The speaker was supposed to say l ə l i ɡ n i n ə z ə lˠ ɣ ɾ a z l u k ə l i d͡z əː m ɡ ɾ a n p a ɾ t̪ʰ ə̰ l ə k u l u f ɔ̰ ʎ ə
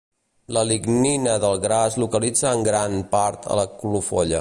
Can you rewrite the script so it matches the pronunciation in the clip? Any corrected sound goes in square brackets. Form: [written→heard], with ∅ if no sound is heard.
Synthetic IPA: l ə l i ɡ n i n ə [z→ð] ə lˠ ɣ ɾ a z l u k ə l i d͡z əː [m→ŋ] ɡ ɾ a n p a ɾ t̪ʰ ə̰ l ə k u l u f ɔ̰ ʎ ə

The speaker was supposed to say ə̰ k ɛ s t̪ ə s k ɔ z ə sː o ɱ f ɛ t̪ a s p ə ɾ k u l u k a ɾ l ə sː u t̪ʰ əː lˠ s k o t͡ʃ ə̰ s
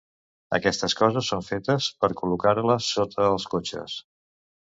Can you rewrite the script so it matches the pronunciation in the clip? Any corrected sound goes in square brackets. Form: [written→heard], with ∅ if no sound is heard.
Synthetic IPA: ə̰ k ɛ s t̪ ə s k ɔ z ə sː o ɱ f [ɛ→e] t̪ [a→ə] s p ə ɾ k u l u k a ɾ l ə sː [u→o] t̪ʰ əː lˠ s k o t͡ʃ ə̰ s

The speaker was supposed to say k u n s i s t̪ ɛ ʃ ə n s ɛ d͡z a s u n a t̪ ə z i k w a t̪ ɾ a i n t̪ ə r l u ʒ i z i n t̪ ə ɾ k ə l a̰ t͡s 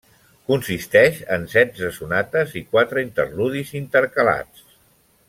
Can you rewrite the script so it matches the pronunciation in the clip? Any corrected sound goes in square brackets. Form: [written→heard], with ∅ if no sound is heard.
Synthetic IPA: k u n s i s t̪ ɛ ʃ ə n s ɛ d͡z [a→ə] s u n a t̪ ə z i k w a t̪ ɾ [a→ə] i n t̪ ə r l u [ʒ→ð] i z i n t̪ ə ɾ k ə l a̰ t͡s

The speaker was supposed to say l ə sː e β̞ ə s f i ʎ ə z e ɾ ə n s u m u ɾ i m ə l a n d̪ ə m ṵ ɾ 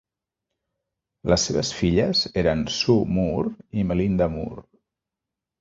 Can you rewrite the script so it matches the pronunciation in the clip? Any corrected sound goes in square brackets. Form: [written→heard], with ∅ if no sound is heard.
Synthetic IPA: l ə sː e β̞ ə s f i ʎ ə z e ɾ ə n s u m u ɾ i m ə l [a→i] n d̪ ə m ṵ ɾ

